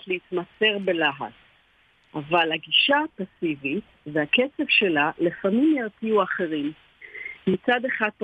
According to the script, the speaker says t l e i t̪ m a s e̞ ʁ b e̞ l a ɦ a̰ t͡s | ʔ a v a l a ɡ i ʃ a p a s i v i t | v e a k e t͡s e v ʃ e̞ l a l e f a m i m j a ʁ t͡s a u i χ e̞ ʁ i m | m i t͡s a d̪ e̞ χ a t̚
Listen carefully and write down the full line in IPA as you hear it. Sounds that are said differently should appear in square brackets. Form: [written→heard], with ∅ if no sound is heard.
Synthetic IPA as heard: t l e i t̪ m a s e̞ ʁ b e̞ l a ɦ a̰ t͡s | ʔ a v a l a ɡ i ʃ a p a s i v i t | v e a k e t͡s e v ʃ e̞ l a l e f a m i m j a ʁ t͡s [a→i] u [i→a] χ e̞ ʁ i m | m i t͡s a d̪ e̞ χ a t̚